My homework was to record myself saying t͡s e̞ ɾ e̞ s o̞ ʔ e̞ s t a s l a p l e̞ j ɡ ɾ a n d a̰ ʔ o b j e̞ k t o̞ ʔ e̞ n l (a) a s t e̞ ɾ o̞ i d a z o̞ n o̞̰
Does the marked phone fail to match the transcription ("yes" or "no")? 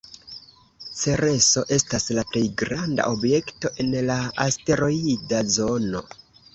no